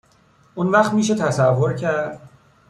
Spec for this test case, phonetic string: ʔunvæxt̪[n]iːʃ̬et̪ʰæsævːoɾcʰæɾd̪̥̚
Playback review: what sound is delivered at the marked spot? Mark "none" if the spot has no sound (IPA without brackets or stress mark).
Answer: m